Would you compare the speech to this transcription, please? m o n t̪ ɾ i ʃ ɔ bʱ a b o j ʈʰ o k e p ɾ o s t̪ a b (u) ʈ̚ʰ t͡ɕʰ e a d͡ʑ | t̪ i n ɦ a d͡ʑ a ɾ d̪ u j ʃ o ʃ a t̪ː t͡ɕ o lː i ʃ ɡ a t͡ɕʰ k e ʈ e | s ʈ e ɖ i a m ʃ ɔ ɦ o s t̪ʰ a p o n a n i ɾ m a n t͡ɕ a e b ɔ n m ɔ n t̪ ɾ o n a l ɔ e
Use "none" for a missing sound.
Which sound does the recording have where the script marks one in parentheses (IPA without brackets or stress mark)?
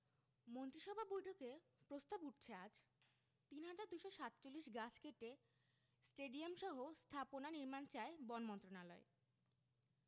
u